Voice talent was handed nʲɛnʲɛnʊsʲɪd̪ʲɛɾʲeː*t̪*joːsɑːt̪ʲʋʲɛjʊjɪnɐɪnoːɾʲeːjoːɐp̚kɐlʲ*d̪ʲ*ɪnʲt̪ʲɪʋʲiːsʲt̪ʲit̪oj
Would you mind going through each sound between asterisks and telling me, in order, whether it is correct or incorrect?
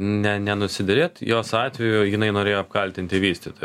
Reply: correct, incorrect: t̪ʲ

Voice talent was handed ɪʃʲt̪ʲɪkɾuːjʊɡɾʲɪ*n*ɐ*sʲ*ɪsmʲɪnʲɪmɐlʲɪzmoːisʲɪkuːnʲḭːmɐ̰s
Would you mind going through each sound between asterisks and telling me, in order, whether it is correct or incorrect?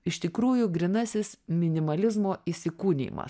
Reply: correct, correct

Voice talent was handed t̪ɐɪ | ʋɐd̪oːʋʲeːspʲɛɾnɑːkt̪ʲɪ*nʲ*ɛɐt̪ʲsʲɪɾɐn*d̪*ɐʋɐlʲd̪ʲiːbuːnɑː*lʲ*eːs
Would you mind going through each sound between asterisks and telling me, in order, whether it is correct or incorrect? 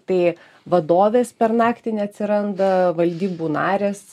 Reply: correct, correct, incorrect: ɾʲ

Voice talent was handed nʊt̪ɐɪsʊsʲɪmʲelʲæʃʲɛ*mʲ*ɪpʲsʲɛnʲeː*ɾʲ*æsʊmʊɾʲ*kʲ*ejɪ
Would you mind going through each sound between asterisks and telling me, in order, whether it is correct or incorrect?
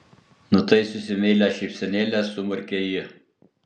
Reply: incorrect: none, incorrect: lʲ, correct

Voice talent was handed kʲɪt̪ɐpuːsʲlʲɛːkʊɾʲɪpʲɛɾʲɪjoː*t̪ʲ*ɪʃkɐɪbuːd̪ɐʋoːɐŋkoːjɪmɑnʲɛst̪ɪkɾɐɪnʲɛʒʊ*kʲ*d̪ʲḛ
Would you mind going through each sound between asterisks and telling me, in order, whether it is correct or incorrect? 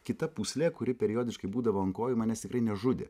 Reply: incorrect: d̪ʲ, incorrect: none

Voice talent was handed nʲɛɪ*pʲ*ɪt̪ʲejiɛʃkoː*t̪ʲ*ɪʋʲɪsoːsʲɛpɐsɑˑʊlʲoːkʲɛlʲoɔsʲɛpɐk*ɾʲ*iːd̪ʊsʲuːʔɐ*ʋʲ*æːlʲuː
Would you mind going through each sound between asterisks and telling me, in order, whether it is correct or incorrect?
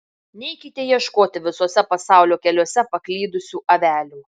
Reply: incorrect: kʲ, correct, incorrect: lʲ, correct

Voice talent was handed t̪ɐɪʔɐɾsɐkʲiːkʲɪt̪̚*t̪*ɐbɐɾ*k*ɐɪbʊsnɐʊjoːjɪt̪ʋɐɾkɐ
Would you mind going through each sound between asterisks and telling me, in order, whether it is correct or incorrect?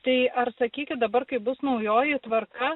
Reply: incorrect: d̪, correct

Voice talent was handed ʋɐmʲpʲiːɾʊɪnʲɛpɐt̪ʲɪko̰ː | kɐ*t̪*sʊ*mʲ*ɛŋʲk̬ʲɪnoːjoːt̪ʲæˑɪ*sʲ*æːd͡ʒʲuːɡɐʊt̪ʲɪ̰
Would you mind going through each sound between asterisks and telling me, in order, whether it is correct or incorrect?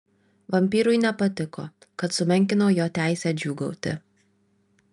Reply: correct, correct, correct

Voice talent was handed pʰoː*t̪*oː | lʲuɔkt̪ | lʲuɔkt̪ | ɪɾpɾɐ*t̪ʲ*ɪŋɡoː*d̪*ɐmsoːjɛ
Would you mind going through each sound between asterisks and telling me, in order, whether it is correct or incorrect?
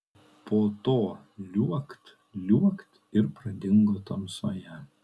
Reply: correct, incorrect: d̪ʲ, incorrect: t̪

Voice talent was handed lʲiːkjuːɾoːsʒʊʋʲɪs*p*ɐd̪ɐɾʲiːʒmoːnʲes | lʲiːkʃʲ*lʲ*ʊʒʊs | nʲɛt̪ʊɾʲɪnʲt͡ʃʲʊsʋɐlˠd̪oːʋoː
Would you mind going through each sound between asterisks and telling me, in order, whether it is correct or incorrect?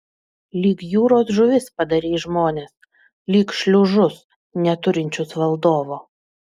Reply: correct, correct

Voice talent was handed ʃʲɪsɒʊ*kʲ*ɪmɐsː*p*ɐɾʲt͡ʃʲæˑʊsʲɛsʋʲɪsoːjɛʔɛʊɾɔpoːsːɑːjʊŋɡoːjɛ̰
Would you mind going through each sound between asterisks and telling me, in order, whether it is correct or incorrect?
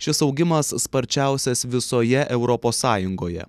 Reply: incorrect: ɡʲ, correct

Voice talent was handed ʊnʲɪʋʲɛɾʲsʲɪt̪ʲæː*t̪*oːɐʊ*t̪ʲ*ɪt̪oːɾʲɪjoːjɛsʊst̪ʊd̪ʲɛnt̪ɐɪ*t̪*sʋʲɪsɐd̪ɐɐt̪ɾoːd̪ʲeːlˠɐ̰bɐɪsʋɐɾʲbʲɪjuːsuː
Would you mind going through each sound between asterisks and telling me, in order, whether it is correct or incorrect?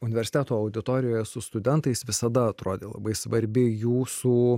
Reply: correct, incorrect: d̪ʲ, incorrect: none

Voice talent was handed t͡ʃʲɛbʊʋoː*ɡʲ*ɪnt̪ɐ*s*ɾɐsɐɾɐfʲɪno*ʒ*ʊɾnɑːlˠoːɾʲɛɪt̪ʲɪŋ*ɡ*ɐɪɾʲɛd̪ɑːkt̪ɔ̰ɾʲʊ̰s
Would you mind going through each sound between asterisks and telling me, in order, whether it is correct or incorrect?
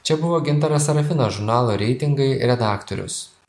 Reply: correct, incorrect: none, correct, correct

